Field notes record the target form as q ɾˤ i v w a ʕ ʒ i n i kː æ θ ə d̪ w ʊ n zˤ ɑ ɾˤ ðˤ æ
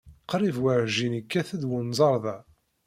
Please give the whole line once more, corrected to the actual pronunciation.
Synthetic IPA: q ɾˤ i v w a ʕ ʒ i n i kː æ θ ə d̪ w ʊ n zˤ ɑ ɾˤ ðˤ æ